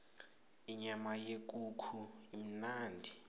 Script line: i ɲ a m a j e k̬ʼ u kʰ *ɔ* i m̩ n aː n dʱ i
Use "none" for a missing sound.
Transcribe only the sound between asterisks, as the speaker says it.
u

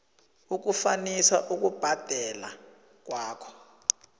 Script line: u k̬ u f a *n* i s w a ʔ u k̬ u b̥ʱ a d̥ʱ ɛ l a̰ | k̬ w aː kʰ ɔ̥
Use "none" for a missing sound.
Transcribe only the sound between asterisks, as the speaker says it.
n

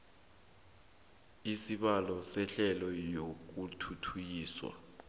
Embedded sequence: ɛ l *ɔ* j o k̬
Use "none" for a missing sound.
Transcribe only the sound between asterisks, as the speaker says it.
ɔ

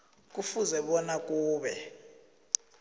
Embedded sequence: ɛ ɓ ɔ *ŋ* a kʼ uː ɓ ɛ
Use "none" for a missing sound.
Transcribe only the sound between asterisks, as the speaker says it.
n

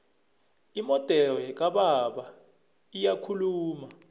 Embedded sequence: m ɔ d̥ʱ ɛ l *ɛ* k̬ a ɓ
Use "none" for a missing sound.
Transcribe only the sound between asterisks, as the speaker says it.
ɛ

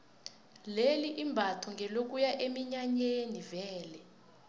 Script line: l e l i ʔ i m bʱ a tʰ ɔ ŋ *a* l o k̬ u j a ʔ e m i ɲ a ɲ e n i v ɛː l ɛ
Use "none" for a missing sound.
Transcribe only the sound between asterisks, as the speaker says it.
ɛ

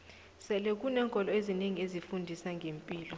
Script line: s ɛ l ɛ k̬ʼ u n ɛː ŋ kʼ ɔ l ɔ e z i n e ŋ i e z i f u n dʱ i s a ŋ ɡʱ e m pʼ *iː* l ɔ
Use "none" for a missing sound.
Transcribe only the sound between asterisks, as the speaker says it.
iː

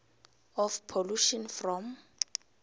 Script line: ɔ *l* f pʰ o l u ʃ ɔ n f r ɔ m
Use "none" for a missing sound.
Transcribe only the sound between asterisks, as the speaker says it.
none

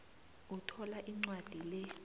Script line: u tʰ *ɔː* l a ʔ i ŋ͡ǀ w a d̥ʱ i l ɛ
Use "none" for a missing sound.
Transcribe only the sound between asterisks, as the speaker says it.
ɔ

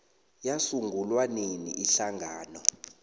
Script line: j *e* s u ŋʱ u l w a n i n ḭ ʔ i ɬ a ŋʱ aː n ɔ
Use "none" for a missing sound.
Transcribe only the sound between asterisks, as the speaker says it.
a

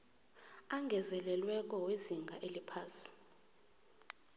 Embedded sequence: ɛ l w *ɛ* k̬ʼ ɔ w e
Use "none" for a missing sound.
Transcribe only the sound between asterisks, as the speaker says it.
ɛ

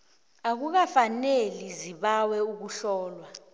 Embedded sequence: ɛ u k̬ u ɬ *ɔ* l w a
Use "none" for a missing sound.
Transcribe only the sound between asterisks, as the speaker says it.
ɔː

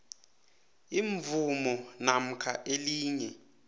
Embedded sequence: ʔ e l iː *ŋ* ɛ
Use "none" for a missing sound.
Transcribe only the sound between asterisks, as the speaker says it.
ɲ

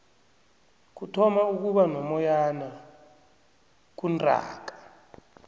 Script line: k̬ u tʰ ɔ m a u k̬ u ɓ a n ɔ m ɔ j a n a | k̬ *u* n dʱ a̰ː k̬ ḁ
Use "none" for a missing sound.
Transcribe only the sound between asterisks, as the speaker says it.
u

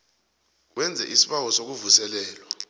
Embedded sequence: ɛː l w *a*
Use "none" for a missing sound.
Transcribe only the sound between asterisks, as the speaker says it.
a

